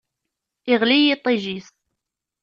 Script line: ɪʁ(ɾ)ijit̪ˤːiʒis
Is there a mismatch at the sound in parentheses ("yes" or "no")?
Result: yes